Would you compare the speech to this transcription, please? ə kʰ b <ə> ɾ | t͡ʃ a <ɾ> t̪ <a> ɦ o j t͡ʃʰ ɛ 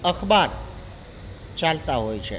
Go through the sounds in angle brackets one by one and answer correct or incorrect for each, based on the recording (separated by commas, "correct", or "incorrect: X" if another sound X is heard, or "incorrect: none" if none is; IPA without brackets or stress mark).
incorrect: a, incorrect: l, correct